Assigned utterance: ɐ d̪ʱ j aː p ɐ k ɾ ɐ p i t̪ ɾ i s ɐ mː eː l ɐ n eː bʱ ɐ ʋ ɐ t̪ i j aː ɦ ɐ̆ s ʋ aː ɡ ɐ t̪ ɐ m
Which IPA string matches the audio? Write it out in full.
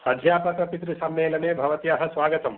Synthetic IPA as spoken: ɐ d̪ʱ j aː p ɐ k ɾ ɐ p i t̪ ɾ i s ɐ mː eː l ɐ n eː bʱ ɐ ʋ ɐ t̪ i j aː ɦ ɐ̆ s ʋ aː ɡ ɐ t̪ ɐ m